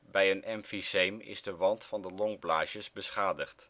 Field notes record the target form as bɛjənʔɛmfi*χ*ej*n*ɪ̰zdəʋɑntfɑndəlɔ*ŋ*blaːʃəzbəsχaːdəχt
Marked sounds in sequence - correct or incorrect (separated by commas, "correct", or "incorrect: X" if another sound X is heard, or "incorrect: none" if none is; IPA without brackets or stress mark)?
incorrect: s, incorrect: m, correct